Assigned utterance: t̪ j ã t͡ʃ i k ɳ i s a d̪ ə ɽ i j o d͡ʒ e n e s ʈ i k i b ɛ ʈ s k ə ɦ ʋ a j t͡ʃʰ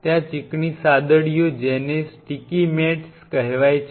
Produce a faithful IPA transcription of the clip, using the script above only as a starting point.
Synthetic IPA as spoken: t̪ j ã t͡ʃ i k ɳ i s a d̪ ə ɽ i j o d͡ʒ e n e s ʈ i k i m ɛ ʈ s k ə ɦ ʋ a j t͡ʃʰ